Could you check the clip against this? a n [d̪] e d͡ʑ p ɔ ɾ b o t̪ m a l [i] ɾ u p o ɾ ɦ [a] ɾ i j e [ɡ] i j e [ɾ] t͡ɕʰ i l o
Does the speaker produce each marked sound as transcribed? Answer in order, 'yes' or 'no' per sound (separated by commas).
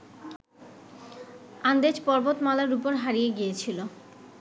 yes, no, yes, yes, no